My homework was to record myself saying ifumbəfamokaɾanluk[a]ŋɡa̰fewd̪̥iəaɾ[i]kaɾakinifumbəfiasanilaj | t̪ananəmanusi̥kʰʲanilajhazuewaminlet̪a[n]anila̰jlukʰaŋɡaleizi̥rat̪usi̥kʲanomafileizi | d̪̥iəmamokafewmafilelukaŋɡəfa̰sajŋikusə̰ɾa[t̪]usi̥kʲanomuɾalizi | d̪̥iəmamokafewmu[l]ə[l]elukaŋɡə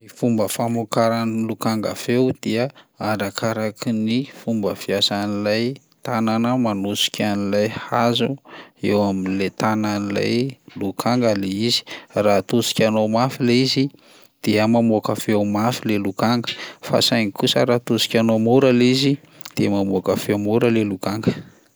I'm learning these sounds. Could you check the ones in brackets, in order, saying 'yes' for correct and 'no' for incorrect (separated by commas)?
yes, no, yes, yes, no, yes